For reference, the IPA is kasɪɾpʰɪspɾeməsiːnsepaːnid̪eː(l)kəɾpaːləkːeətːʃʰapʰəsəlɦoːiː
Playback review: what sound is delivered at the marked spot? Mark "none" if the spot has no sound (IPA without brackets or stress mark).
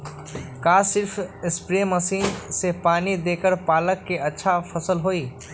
none